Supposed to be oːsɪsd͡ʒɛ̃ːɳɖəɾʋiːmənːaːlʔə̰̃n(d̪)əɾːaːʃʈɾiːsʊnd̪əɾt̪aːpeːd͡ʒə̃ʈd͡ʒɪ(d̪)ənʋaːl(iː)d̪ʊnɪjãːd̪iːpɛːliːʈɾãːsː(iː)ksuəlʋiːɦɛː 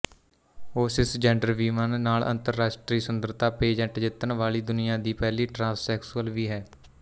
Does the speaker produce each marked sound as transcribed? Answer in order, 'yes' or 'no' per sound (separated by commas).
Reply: no, no, yes, no